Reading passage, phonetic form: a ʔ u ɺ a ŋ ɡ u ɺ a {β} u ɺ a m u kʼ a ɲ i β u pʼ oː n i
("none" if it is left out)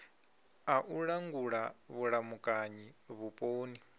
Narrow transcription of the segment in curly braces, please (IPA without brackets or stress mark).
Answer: β